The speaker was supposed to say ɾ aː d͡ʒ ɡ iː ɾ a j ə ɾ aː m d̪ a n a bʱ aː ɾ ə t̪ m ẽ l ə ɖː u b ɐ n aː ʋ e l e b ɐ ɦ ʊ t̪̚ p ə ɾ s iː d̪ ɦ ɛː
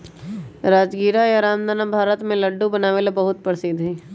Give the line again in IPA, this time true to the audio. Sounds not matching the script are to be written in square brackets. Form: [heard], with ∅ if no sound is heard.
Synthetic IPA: ɾ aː d͡ʒ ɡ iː ɾ a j [a] ɾ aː m d̪ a n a bʱ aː ɾ ə t̪ m ẽ l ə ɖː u b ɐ n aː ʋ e l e b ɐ ɦ ʊ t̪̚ p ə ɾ s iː d̪ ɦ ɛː